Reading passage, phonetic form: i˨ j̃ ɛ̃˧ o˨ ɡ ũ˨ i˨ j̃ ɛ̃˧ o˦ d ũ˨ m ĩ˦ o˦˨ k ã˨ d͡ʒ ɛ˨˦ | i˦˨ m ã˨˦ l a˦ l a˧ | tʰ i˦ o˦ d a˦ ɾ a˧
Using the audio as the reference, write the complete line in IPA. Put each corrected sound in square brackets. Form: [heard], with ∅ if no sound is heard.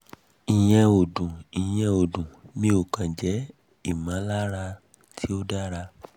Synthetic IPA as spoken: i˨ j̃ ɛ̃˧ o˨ [d] ũ˨ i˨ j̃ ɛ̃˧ [o˨] d ũ˨ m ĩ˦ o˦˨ k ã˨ d͡ʒ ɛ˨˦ | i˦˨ m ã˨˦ l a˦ [ɾ] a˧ | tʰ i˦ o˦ d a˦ ɾ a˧